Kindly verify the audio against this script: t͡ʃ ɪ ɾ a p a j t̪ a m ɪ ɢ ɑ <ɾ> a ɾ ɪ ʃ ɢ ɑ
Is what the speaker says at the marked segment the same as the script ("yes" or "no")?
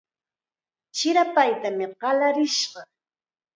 no